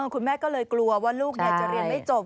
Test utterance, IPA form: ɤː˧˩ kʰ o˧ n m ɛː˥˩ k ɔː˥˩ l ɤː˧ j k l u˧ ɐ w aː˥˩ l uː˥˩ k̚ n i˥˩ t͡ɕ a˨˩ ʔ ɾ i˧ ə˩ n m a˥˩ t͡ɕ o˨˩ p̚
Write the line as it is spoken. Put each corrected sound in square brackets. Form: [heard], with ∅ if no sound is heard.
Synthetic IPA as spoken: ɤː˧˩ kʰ [u˧] n m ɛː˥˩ k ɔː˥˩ l ɤː˧ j k l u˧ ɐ w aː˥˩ l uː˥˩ k̚ n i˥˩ t͡ɕ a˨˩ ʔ ɾ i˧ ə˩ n m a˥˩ t͡ɕ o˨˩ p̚